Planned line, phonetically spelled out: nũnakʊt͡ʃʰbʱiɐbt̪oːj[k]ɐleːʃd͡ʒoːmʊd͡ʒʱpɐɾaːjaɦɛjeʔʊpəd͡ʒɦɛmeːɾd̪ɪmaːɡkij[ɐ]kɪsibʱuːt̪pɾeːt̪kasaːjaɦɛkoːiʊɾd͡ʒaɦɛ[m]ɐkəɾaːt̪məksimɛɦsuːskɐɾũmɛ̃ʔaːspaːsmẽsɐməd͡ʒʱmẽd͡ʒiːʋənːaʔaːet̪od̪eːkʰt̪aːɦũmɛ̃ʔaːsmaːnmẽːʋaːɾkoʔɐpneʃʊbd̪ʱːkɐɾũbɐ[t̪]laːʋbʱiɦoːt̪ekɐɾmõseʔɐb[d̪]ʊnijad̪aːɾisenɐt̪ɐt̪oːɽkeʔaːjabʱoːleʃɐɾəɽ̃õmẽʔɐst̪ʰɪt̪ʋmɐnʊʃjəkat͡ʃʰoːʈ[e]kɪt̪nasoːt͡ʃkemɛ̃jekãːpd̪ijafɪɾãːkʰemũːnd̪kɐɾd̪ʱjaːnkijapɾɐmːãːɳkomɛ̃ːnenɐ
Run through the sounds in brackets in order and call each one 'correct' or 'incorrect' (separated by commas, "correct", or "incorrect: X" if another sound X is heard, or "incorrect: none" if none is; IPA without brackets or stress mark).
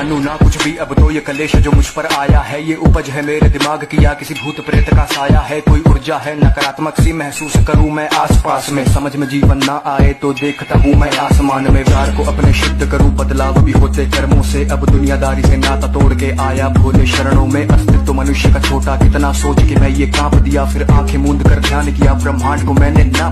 correct, incorrect: a, incorrect: n, incorrect: d̪, correct, incorrect: a